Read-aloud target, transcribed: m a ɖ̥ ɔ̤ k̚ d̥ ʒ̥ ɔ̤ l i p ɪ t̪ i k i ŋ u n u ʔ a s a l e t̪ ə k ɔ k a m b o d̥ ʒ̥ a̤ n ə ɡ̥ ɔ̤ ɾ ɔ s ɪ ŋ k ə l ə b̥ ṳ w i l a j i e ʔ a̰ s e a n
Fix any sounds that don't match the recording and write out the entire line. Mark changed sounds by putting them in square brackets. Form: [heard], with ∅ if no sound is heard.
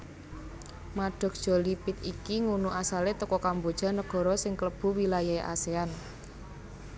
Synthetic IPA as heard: m a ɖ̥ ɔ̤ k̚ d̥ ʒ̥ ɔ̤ l i p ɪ t̪ i k i ŋ u n u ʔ a s a l e t̪ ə k ɔ k a m b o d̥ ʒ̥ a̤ n ə ɡ̥ ɔ̤ ɾ ɔ s ɪ ŋ k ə l ə b̥ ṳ w i l a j [a] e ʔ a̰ s e a n